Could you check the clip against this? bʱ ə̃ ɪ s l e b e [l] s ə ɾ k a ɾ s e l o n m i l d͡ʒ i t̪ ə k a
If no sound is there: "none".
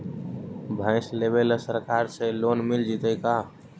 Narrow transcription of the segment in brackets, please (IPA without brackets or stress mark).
l